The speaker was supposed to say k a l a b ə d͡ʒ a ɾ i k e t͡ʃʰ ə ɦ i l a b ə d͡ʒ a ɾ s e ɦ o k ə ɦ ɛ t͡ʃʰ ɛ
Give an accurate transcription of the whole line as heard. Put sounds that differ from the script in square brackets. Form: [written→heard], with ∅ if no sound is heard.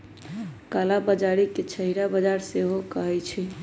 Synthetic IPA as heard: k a l a b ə d͡ʒ a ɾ i k e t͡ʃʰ ə ɦ i [l→ɾ] a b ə d͡ʒ a ɾ s e ɦ o k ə ɦ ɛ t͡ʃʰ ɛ

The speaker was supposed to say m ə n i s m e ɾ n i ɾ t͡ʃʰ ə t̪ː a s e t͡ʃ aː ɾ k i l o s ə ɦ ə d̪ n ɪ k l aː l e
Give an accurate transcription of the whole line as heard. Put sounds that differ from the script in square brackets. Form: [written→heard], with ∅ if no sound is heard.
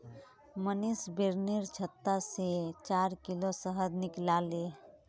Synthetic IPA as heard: m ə n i s [m→b] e ɾ n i ɾ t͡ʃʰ ə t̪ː a s e t͡ʃ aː ɾ k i l o s ə ɦ ə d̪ n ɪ k l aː l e

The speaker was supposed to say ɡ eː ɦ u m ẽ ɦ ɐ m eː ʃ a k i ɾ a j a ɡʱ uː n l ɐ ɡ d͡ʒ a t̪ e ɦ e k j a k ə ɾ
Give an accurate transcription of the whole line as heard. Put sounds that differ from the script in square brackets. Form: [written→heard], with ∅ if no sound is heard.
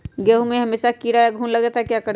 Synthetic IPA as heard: ɡ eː ɦ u m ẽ ɦ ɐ m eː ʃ a k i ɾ a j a ɡʱ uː n l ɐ ɡ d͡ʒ a t̪ [e→a] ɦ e k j a k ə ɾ

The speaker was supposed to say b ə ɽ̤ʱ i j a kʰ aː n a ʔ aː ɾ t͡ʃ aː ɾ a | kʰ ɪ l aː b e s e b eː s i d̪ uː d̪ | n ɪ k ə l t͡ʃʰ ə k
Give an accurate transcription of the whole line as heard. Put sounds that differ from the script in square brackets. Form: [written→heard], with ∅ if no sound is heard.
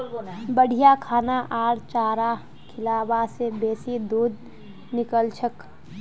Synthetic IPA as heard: b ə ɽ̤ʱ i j a kʰ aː n a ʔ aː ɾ t͡ʃ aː ɾ a | kʰ ɪ l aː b [e→a] s e b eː s i d̪ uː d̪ | n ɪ k ə l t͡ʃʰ ə k

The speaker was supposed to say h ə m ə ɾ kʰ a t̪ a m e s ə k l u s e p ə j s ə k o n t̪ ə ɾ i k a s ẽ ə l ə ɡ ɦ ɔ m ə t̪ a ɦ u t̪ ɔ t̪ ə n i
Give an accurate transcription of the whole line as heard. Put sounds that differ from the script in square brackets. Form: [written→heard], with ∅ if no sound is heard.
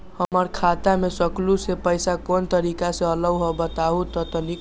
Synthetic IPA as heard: h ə m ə ɾ kʰ a t̪ a m e s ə k l u s e p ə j s [ə→a] k o n t̪ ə ɾ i k a s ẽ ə l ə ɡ ɦ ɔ [m→b] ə t̪ a ɦ u t̪ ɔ t̪ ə n i

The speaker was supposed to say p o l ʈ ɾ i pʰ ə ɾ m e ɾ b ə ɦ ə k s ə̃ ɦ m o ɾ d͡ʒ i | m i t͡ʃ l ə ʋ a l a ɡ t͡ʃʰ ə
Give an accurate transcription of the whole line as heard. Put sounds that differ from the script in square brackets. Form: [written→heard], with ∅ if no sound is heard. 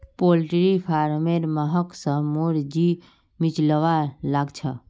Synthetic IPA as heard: p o l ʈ ɾ i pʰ [ə→a] ɾ m e ɾ [b→m] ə ɦ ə k s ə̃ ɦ m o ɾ d͡ʒ i | m i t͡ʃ l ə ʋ a l a ɡ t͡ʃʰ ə

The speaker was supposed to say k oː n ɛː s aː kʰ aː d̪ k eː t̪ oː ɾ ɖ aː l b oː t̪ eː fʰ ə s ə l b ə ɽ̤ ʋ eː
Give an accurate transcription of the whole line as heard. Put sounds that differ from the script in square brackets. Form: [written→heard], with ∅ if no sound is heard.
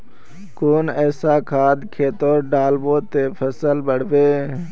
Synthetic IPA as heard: k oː n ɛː s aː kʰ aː d̪ [k→kʰ] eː t̪ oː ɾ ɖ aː l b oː t̪ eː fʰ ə s ə l b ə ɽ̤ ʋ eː

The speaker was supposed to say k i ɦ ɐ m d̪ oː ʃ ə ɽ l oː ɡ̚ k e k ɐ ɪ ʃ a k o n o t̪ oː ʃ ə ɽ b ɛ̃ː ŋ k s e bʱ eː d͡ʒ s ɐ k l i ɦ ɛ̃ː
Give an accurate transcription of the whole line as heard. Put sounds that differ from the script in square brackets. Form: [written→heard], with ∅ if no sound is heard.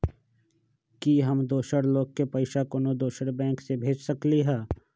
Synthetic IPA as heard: k i ɦ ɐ m d̪ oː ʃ ə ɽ l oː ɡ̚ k e [k→p] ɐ ɪ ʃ a k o n o [t̪→d̪] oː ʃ ə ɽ b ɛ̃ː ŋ k s e bʱ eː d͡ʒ s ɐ k l i ɦ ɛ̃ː

